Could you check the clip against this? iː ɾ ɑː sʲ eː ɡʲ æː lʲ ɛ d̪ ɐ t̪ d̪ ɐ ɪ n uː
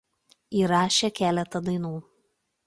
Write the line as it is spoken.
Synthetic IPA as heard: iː ɾ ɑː ʃʲ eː kʲ æː lʲ ɛ t̪ ɐ d̪ ɐ ɪ n uː